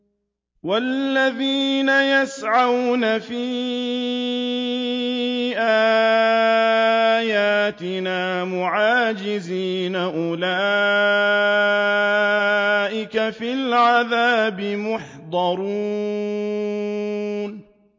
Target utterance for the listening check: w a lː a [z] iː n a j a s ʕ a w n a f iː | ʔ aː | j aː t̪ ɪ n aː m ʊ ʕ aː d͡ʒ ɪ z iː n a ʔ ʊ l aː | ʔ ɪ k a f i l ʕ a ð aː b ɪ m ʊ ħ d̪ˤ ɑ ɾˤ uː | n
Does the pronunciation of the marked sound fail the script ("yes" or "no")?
yes